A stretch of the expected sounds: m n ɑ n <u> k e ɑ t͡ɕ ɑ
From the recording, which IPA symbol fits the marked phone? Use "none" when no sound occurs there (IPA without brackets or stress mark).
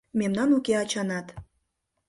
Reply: u